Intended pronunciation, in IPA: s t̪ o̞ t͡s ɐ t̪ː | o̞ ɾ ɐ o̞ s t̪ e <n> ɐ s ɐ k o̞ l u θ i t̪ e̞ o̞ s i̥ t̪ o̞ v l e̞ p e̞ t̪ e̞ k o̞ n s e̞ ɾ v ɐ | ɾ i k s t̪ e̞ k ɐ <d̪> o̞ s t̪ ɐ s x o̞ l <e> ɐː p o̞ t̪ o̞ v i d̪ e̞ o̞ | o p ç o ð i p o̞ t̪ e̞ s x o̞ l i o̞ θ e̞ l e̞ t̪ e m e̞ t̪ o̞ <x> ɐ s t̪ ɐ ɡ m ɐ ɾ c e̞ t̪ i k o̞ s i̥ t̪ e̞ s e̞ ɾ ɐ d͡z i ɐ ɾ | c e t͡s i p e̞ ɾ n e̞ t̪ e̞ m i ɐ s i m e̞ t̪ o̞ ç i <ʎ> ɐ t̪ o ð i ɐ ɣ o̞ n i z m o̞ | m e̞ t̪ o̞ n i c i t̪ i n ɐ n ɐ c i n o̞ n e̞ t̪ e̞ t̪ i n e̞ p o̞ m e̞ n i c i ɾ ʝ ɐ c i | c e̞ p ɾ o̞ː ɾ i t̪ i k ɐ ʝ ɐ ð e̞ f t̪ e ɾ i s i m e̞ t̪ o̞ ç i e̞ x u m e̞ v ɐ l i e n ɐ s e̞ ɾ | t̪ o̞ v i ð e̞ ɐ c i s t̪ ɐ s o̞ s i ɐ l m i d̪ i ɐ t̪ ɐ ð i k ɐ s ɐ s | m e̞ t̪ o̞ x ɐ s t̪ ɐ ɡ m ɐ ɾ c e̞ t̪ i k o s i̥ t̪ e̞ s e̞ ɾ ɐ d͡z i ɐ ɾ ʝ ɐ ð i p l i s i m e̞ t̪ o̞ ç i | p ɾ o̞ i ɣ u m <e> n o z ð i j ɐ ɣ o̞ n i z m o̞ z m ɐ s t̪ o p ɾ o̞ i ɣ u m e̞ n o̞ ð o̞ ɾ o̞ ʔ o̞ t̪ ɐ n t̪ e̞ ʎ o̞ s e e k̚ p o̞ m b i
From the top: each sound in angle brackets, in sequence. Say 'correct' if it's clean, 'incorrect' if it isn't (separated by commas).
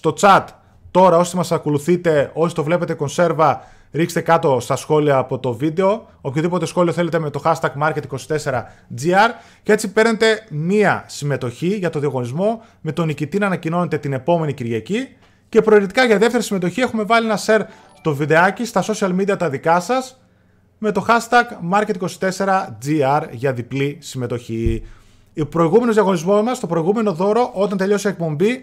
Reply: incorrect, incorrect, incorrect, correct, incorrect, correct